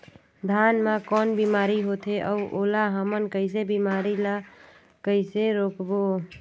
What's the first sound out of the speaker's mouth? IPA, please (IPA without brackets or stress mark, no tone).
d̪ʱ